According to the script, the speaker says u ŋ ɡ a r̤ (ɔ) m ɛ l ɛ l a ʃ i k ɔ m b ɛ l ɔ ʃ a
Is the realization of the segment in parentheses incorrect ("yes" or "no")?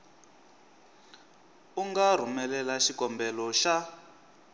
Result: yes